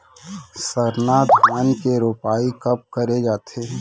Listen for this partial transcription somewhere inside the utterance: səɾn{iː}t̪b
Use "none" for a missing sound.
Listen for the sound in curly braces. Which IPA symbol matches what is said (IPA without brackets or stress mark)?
aː